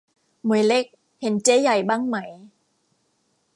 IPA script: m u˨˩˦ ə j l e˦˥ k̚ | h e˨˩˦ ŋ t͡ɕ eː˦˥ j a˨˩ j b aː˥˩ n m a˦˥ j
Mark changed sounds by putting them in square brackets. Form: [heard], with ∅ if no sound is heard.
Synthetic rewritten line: m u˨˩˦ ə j l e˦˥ k̚ | h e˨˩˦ [n] t͡ɕ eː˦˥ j a˨˩ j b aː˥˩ [ŋ] m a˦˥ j